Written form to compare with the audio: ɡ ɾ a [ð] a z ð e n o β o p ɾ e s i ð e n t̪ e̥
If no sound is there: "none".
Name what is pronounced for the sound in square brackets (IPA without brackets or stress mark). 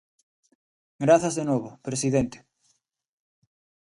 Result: θ